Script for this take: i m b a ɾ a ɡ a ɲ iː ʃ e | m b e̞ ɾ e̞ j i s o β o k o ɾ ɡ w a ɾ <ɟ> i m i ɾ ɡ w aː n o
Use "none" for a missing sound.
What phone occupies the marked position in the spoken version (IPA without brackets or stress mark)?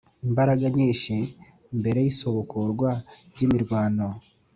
ɟ